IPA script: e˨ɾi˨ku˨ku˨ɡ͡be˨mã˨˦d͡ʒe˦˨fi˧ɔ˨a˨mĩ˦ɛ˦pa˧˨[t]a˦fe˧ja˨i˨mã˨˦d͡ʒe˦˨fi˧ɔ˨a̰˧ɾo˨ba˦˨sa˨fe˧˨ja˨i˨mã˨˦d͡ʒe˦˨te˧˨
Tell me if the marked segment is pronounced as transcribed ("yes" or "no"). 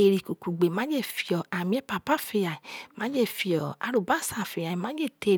no